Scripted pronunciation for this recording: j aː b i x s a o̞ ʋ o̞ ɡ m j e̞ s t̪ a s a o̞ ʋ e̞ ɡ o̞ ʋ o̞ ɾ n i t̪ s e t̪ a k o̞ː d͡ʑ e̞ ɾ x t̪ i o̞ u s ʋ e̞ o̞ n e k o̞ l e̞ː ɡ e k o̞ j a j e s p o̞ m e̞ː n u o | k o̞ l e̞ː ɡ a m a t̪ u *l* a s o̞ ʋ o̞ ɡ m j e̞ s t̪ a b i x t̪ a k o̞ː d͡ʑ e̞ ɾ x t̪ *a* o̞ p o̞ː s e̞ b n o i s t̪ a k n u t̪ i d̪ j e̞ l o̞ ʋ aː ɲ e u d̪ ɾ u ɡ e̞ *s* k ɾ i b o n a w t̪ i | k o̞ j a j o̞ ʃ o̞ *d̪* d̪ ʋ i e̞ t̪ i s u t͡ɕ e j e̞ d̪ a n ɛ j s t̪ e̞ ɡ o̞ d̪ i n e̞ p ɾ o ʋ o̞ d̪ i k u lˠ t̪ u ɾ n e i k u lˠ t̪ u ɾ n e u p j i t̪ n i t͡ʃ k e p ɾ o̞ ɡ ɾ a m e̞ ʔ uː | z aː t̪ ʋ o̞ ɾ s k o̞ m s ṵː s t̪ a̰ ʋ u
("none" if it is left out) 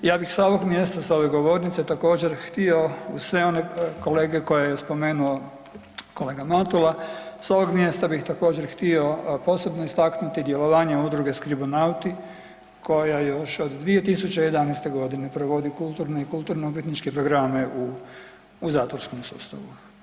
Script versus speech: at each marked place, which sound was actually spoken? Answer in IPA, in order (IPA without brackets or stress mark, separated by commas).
l, i, s, d̪